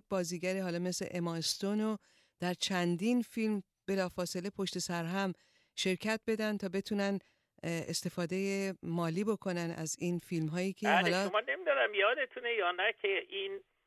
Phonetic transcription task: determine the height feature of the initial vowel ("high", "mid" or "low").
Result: low